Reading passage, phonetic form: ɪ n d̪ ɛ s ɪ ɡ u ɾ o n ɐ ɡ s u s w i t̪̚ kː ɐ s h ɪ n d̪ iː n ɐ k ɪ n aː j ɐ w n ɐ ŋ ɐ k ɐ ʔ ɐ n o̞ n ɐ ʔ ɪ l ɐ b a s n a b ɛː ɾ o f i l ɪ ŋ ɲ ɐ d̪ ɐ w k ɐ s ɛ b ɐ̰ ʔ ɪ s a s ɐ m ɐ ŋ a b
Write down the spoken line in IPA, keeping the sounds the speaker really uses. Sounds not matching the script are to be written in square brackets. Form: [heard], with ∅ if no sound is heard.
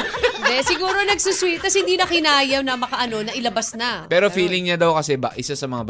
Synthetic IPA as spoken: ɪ n d̪ ɛ s ɪ ɡ [uː] ɾ o n ɐ ɡ s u s w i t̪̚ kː ɐ s h ɪ n d̪ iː n ɐ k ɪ n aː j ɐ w n ɐ [m] ɐ k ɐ ʔ ɐ n o̞ n ɐ ʔ ɪ l ɐ b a s n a [p] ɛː ɾ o f [iː] l ɪ ŋ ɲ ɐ d̪ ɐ w k ɐ s ɛ b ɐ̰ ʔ ɪ s a s ɐ m ɐ ŋ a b